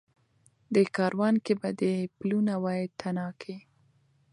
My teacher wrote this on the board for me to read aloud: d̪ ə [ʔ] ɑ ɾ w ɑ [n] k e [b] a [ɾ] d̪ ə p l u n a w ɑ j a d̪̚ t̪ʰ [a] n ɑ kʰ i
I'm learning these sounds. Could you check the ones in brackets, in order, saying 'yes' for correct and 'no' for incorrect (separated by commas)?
no, yes, yes, no, yes